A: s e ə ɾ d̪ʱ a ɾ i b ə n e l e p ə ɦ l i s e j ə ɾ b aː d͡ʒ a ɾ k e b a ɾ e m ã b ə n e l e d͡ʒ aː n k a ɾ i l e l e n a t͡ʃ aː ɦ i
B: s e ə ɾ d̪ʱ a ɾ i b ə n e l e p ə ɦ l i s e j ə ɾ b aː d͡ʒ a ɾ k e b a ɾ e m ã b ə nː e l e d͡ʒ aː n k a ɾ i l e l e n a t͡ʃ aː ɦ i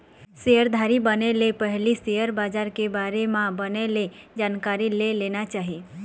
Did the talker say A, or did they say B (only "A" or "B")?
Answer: A